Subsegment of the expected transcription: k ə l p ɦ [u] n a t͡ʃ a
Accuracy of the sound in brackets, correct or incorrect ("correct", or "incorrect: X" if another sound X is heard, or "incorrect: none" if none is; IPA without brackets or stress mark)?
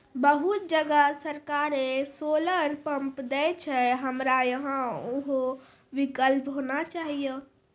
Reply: incorrect: o